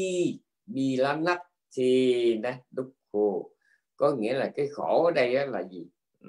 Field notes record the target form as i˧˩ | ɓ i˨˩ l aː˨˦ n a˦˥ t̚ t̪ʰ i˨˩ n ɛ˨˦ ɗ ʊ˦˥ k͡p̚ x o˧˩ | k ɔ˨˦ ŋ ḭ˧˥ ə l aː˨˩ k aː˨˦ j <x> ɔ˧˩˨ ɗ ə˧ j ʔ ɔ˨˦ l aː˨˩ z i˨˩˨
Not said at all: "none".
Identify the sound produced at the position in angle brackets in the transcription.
x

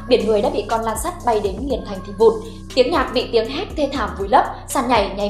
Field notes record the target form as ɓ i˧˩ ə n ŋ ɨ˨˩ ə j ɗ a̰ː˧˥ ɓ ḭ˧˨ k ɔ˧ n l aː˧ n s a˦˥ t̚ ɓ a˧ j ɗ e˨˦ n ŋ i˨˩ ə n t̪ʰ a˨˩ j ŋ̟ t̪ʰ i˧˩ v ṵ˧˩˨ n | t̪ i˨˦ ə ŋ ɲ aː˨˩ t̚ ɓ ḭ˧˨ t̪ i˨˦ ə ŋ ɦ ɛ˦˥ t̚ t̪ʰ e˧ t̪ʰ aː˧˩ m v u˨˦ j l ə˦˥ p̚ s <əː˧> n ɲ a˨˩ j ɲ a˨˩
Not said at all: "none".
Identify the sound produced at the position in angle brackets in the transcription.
aː˧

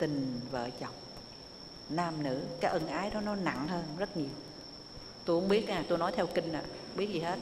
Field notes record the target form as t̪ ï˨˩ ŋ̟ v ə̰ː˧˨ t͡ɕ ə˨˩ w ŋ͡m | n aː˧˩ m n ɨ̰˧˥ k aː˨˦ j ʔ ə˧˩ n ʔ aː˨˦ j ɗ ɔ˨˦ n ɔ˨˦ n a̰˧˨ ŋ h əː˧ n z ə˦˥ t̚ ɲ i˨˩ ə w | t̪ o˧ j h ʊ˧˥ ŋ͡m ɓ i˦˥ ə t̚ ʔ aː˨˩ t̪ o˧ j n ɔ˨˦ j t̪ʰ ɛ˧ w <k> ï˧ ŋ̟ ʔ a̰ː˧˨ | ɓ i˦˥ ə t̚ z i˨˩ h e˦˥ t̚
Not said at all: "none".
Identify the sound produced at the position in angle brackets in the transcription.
k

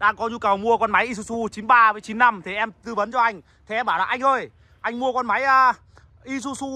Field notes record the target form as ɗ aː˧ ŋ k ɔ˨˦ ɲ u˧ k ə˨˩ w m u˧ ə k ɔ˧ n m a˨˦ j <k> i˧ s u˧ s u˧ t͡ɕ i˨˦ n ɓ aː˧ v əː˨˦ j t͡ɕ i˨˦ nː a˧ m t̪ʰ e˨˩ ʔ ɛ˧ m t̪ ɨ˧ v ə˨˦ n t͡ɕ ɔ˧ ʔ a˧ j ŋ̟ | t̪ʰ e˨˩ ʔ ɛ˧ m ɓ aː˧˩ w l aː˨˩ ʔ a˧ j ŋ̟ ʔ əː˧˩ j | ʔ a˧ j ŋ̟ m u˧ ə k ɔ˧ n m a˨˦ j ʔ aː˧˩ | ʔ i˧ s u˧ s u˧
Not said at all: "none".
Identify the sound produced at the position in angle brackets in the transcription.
ʔ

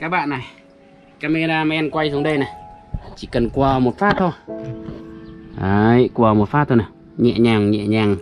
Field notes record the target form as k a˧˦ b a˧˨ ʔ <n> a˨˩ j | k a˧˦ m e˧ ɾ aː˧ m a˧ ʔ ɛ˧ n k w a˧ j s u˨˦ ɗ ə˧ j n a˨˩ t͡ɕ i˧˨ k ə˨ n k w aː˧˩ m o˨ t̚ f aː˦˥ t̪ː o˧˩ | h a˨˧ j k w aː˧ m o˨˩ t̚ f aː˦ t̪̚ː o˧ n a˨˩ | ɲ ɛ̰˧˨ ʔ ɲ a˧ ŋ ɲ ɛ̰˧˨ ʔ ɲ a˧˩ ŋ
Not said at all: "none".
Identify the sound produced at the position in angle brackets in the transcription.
n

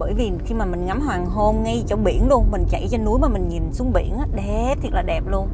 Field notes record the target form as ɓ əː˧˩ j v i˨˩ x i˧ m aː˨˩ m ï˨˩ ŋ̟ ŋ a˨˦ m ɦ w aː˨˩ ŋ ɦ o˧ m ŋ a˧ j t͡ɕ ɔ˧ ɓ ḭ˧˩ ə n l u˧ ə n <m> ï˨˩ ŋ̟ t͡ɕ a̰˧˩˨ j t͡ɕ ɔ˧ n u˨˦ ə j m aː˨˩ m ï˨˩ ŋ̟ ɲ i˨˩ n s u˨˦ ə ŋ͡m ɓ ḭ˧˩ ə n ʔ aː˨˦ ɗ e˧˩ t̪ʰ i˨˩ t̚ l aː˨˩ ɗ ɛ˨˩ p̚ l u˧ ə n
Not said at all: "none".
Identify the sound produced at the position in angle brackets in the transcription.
m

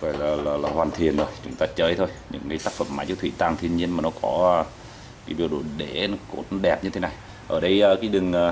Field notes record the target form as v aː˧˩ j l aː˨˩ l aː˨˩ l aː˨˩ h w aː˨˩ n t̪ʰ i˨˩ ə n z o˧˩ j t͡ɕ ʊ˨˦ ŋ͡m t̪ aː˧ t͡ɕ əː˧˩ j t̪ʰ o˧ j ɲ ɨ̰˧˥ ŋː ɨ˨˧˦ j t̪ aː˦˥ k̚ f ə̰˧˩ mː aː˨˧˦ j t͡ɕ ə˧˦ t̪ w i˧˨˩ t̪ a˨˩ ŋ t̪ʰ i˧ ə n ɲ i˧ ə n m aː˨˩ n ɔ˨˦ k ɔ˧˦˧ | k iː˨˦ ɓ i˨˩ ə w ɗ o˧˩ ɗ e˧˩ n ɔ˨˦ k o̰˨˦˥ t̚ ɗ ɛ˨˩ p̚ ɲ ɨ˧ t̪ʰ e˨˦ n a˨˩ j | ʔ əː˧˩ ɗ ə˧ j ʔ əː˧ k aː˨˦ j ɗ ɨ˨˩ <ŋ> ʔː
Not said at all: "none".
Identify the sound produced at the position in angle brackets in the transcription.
ŋ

